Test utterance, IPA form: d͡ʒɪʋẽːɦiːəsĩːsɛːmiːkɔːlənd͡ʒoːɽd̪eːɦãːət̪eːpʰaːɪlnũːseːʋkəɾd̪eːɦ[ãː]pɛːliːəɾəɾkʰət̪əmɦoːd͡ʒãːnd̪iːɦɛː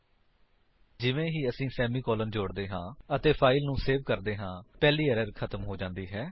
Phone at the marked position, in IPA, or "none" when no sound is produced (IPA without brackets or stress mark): ãː